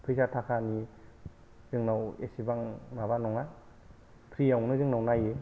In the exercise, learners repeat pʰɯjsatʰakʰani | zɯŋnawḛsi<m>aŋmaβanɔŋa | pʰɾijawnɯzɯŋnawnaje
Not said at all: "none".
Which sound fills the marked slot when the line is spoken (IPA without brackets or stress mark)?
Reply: b